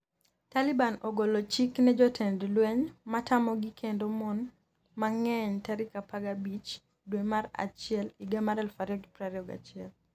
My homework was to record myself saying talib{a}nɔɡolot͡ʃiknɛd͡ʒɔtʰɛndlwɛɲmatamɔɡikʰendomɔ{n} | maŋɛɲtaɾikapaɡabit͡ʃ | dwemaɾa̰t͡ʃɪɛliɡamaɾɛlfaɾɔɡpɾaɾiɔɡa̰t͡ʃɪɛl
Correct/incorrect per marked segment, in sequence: correct, correct

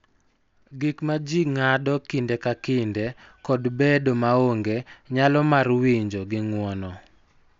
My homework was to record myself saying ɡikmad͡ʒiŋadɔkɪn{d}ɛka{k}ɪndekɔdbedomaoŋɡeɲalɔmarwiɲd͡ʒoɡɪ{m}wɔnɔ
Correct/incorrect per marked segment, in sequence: correct, correct, incorrect: ŋ

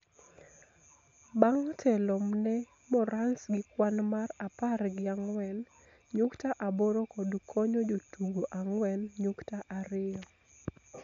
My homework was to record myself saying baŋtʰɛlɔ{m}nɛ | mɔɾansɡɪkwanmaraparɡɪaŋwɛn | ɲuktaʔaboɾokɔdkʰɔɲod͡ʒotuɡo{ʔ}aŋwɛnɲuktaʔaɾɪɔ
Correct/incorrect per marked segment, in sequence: correct, correct

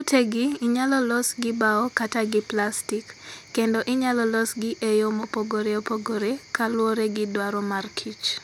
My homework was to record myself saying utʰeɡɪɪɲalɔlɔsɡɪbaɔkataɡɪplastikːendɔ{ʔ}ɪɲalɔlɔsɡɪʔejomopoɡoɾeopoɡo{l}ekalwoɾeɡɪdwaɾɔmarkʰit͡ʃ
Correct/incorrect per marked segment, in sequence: correct, incorrect: ɾ

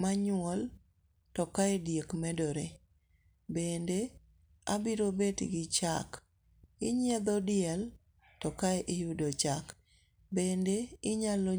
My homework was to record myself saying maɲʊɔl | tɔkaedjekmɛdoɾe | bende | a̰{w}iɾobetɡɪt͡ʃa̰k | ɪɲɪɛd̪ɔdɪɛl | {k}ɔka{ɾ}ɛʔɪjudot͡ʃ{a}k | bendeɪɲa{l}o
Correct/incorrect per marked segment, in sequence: incorrect: b, incorrect: t, incorrect: none, correct, correct

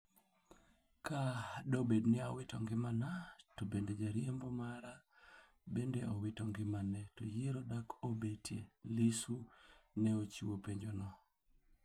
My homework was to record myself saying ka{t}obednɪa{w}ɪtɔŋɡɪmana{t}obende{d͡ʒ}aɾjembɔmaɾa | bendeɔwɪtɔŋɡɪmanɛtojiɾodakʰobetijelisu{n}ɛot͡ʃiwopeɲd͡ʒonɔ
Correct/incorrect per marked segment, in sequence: incorrect: d, correct, correct, correct, correct

